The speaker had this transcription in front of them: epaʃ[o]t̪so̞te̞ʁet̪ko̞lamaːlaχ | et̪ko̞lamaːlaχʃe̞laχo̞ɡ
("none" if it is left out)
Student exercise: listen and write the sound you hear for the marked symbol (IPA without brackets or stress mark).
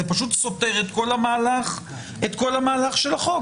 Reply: u